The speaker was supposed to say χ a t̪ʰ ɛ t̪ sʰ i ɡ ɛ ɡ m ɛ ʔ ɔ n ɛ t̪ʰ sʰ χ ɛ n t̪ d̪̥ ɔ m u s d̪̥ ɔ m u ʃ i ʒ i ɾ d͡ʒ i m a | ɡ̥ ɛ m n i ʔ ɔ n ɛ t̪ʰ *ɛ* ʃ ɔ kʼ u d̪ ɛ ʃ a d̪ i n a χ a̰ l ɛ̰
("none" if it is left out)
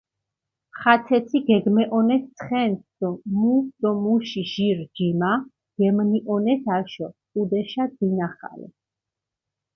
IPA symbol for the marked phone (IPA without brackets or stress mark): a